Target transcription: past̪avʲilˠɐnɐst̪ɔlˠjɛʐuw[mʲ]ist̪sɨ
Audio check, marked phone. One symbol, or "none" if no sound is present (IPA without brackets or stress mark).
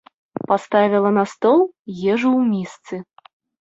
mʲ